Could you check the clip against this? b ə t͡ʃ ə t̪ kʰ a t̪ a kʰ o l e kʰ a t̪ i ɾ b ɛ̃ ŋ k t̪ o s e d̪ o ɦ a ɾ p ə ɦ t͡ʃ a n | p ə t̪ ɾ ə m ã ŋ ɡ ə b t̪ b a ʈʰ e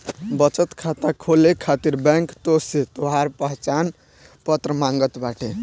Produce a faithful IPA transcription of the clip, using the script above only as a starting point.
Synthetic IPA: b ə t͡ʃ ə t̪ kʰ a t̪ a kʰ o l e kʰ a t̪ i ɾ b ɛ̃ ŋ k t̪ o s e t̪ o ɦ a ɾ p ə ɦ t͡ʃ a n | p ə t̪ ɾ ə m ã ŋ ɡ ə t̪ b a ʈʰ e